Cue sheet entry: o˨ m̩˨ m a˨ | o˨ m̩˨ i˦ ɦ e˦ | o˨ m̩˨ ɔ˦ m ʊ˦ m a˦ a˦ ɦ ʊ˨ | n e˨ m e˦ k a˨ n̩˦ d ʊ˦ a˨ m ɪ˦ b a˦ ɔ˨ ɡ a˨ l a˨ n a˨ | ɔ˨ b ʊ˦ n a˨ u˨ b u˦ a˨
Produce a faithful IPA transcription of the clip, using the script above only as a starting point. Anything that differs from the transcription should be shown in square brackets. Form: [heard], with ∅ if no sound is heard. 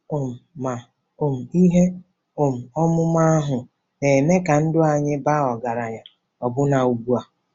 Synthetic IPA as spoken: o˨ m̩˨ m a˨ | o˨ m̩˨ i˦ ɦ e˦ | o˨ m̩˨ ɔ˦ m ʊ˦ m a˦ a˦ ɦ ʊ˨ | n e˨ m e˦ k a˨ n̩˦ d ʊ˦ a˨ [ɲ] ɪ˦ b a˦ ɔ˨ ɡ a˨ [ɾ] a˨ [ɲ] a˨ | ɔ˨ b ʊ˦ n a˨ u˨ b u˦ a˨